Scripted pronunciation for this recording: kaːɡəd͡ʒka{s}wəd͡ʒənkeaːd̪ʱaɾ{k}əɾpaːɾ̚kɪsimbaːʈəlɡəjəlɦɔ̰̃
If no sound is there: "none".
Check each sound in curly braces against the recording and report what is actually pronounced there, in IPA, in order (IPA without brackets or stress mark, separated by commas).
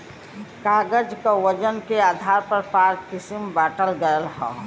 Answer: none, p